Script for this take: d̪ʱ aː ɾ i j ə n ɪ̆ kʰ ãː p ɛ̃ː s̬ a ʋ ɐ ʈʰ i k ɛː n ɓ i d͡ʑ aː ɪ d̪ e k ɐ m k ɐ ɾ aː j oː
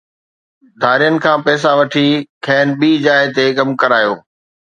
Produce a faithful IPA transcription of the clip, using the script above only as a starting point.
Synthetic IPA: d̪ʱ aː ɾ i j ə n ɪ̆ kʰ ãː p ɛː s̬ a ʋ ɐ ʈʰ i kʰ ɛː n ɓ iː d͡ʑ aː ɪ t̪ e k ɐ m k ɐ ɾ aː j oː

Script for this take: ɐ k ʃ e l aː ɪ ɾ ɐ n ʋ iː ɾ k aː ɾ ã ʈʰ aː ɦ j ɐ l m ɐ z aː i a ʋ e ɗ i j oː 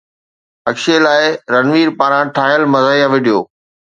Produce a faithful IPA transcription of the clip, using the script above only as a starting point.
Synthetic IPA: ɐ k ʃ e l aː ɪ ɾ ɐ n ʋ iː ɾ p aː ɾ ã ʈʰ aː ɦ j ə l m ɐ z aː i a ʋ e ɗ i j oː

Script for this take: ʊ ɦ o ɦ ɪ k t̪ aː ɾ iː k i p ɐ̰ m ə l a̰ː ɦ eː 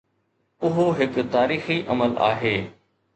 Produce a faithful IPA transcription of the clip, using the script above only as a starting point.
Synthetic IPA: ʊ ɦ o ɦ ɪ k t̪ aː ɾ iː x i ʔ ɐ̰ m ə l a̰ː ɦ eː

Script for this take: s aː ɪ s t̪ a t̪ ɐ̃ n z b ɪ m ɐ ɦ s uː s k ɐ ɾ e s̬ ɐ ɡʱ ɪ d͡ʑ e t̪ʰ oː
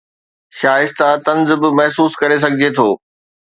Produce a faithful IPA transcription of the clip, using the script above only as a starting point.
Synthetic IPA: ʃ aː ɪ s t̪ a t̪ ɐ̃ n z b ɪ m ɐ ɦ s uː s k ɐ ɾ e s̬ ɐ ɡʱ ɪ d͡ʑ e t̪ʰ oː

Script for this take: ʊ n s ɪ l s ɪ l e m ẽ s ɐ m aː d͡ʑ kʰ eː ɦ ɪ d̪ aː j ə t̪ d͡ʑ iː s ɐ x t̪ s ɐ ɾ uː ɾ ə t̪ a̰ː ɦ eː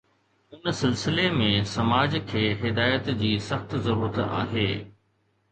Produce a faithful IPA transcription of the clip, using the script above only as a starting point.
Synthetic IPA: ʊ n s ɪ l s ɪ l e m ẽ s ɐ m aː d͡ʑ kʰ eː ɦ ɪ d̪ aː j ə t̪ d͡ʑ iː s ɐ x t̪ z ɐ ɾ uː ɾ ə t̪ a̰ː ɦ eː

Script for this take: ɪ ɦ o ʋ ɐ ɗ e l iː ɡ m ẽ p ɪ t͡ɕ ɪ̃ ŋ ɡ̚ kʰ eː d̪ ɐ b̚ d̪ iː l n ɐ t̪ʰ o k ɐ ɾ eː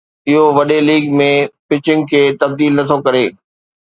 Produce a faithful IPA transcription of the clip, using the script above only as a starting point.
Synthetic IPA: ɪ ɦ o ʋ ɐ ɗ e l iː ɡ m ẽ p ɪ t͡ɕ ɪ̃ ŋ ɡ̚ kʰ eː t̪ ɐ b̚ d̪ iː l n ɐ t̪ʰ o k ɐ ɾ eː

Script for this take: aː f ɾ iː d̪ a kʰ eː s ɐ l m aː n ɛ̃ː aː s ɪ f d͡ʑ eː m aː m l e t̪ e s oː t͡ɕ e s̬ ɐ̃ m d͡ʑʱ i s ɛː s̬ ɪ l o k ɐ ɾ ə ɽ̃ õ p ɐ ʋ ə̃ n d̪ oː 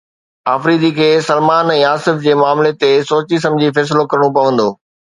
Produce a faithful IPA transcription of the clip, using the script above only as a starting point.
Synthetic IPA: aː f ɾ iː d̪ i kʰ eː s ɐ l m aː n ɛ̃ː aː s ɪ f d͡ʑ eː m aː m l e t̪ e s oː t͡ɕ i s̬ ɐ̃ m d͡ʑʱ i f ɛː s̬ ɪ l o k ɐ ɾ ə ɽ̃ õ p ɐ ʋ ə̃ n d̪ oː

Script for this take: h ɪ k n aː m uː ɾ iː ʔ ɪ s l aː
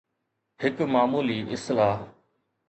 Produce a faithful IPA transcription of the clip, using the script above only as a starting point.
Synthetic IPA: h ɪ k m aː m uː l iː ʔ ɪ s l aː

